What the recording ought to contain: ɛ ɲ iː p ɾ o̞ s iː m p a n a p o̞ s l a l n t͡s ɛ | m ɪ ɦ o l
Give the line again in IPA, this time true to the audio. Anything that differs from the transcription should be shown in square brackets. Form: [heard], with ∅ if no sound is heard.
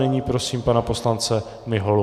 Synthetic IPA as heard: ɛ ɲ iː p ɾ o̞ s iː m p a n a p o̞ s l a [∅] n t͡s ɛ | m ɪ ɦ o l